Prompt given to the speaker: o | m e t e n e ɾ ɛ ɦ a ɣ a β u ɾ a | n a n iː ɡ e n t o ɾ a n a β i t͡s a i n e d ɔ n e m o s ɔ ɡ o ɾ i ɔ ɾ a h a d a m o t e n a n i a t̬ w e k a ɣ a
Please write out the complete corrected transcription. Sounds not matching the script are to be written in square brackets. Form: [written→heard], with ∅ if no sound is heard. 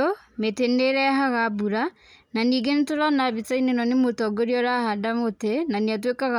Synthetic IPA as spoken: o | m e t e n e ɾ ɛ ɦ a ɣ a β u ɾ a | n a n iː ɡ e n t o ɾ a n a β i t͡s a i n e [d→n] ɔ n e m o [s→t] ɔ ɡ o ɾ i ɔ ɾ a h a d a m o t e n a n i a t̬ w e k a ɣ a